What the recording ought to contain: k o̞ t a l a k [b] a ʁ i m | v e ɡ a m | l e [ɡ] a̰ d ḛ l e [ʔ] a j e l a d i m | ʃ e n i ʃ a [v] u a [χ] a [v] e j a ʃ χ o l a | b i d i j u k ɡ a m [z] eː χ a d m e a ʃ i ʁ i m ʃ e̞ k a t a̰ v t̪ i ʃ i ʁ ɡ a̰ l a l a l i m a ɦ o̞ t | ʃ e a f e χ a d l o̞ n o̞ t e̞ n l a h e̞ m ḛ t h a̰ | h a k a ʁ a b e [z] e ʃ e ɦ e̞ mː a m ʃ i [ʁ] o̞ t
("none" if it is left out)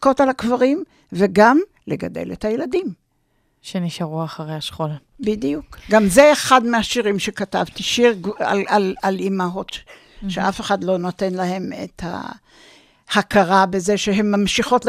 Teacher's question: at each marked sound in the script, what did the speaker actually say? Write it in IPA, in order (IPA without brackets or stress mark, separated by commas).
v, ɡ, t, ʁ, χ, ʁ, z, z, χ